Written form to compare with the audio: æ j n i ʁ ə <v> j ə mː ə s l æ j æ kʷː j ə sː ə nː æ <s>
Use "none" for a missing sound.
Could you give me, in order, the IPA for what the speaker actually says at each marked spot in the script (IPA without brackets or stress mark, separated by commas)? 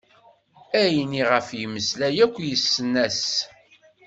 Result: f, s